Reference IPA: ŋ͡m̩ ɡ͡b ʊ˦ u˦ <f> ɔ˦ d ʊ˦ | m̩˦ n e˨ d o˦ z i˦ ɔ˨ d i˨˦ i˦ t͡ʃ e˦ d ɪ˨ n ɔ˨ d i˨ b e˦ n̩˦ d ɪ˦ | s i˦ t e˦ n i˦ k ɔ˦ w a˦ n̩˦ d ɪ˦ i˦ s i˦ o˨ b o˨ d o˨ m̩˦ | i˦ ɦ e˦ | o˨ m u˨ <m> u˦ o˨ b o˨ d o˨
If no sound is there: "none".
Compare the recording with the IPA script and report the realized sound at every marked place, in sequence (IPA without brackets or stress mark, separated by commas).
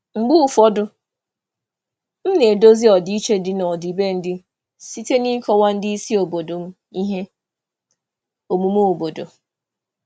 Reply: f, m